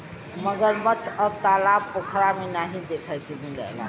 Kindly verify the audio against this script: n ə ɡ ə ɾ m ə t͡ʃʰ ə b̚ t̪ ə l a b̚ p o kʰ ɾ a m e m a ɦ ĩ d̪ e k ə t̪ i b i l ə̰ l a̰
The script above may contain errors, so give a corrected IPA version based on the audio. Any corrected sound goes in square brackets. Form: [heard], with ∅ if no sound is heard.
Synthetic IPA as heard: [m] ə ɡ ə ɾ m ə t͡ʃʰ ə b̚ t̪ [a] l a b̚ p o kʰ ɾ a m e [n] a ɦ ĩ d̪ e [kʰ] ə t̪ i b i l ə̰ l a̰